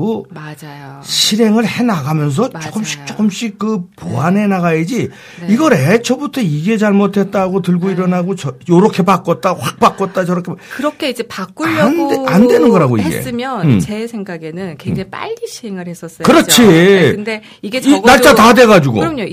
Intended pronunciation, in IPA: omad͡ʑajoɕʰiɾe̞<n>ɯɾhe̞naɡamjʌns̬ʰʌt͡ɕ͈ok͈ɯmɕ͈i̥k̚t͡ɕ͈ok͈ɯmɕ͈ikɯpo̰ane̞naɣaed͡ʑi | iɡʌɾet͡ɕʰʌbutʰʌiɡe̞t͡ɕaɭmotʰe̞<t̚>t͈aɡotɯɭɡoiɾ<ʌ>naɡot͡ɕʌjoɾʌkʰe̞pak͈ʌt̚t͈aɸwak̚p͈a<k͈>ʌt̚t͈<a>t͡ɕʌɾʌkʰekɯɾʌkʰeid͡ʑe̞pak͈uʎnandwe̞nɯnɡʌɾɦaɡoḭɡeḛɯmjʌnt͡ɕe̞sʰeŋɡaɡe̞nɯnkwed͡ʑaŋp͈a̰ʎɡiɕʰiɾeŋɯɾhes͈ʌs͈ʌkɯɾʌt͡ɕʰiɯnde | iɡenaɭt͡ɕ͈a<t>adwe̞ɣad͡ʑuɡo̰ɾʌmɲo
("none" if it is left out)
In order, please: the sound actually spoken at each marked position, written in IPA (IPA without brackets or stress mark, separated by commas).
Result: ŋ, t̚, ʌ, k͈, a, t